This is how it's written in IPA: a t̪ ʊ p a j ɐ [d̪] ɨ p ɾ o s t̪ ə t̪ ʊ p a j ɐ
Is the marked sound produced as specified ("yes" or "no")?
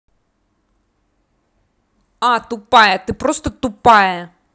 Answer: no